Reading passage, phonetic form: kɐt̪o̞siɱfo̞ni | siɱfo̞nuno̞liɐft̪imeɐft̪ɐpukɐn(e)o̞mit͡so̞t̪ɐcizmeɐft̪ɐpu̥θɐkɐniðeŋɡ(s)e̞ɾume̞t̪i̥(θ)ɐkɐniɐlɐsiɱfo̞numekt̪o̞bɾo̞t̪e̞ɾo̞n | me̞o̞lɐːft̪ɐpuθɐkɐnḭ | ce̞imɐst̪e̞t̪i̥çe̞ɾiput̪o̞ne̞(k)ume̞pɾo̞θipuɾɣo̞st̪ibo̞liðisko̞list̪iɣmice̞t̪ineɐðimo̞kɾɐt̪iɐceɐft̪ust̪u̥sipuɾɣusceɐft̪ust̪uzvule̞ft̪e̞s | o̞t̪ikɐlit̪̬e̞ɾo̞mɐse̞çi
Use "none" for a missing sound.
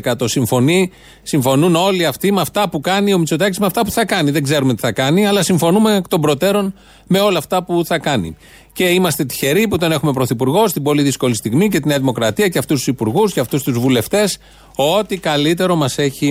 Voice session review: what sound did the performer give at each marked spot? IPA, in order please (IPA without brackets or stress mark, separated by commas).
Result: i, z, θ, x